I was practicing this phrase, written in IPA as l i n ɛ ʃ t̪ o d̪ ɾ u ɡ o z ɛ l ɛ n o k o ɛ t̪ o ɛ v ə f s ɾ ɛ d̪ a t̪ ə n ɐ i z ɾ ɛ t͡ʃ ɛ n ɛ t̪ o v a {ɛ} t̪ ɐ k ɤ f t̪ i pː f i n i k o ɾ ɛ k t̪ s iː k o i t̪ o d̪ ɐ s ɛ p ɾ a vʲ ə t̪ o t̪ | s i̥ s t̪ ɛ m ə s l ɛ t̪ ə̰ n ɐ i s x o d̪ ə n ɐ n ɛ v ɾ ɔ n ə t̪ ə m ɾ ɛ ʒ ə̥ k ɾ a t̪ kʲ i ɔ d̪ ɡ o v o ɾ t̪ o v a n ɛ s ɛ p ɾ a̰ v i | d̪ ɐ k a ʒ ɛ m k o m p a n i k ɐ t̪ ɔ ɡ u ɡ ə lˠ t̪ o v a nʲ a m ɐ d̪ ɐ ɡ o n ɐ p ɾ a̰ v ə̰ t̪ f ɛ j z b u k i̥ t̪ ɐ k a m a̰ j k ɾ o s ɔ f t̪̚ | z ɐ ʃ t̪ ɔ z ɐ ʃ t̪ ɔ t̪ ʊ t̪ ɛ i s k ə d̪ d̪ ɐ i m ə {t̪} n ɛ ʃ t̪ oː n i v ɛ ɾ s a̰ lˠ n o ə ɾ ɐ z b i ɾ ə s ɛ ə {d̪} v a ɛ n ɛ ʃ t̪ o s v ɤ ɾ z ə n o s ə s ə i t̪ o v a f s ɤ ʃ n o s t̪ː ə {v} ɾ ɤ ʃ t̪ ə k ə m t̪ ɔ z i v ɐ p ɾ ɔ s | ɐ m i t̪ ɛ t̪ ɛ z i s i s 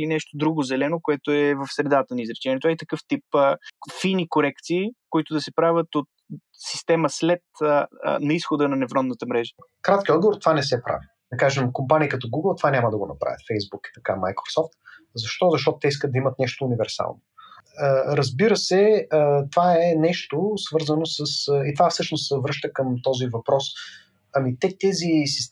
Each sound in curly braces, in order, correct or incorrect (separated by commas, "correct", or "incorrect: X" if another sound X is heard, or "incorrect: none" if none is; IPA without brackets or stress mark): incorrect: i, correct, incorrect: t̪, correct